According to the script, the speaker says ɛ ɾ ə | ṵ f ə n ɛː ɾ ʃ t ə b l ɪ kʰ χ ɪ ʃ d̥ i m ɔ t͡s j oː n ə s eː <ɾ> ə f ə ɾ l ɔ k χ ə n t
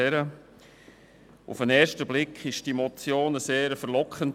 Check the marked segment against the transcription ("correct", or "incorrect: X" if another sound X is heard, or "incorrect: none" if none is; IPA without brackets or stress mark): correct